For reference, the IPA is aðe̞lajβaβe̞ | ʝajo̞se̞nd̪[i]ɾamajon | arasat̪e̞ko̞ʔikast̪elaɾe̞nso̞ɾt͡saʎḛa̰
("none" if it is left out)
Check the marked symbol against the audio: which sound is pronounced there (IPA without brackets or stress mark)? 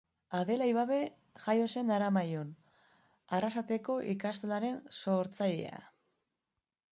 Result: a